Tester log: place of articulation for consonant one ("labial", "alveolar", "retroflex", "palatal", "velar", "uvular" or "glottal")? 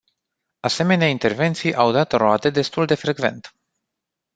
alveolar